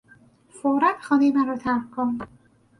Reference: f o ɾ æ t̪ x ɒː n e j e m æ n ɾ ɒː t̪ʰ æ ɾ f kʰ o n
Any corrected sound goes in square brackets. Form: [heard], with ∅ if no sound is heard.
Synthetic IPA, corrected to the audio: f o ɾ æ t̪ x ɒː n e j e m æ n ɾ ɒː t̪ʰ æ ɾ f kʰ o n